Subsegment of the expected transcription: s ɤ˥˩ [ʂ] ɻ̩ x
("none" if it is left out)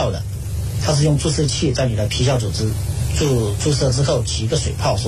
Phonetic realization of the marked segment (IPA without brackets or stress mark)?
ʈ͡ʂ